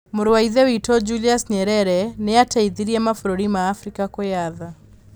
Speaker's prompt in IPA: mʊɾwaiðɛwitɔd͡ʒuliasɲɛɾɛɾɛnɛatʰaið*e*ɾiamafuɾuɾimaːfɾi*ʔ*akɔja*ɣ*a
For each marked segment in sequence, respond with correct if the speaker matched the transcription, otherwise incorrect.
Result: incorrect, incorrect, incorrect

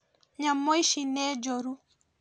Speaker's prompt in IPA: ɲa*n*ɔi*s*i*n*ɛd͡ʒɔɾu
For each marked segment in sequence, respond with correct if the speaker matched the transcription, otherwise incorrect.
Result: incorrect, incorrect, correct

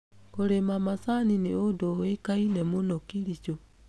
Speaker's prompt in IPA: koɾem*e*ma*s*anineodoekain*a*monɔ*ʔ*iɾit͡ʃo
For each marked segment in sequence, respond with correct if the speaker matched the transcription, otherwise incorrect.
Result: incorrect, correct, incorrect, incorrect

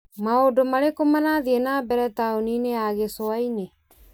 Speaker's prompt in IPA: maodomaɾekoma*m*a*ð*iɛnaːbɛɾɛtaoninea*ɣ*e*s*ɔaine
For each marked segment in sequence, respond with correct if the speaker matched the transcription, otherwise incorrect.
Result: incorrect, correct, correct, correct

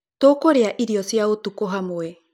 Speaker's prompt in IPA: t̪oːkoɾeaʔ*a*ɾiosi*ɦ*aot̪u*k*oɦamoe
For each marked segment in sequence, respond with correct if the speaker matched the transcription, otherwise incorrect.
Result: incorrect, incorrect, correct

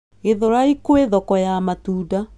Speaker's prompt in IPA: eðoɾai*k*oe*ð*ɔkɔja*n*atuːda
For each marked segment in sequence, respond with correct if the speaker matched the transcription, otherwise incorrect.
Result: correct, correct, incorrect

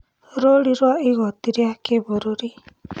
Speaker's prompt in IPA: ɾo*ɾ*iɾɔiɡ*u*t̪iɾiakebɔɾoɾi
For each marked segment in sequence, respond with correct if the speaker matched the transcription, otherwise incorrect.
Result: incorrect, incorrect

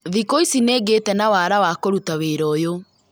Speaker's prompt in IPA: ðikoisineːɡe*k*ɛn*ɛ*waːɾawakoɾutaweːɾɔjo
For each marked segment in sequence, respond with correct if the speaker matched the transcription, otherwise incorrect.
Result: incorrect, incorrect

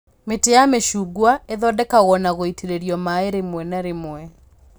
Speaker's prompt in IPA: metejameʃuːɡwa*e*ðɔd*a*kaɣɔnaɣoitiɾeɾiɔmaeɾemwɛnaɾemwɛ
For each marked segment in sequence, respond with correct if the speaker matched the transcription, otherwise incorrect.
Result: correct, incorrect

